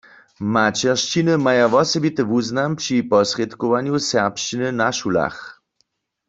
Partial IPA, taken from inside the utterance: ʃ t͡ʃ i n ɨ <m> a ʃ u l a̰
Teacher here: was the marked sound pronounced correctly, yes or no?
no